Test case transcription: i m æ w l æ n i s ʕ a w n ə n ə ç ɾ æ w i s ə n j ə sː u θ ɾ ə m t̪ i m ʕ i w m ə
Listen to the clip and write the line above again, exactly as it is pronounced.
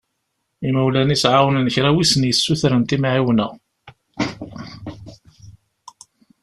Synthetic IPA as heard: i m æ w l æ n i s ʕ a w n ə n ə ç ɾ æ w i s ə n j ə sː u θ ɾ ə n t̪ i m ʕ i w n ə